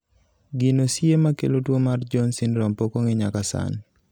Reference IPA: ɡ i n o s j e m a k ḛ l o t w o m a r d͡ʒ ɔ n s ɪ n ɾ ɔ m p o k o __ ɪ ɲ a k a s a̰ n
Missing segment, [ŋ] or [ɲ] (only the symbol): ŋ